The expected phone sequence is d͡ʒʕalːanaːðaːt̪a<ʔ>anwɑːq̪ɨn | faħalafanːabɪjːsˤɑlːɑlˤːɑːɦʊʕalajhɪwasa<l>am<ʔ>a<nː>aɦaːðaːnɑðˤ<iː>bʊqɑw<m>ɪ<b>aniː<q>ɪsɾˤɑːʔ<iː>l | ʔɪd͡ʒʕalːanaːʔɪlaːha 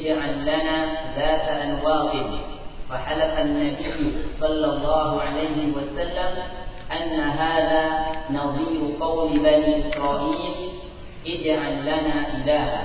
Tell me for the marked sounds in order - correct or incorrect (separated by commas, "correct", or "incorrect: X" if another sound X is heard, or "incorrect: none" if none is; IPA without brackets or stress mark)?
correct, incorrect: lː, correct, correct, correct, correct, correct, incorrect: ʔ, correct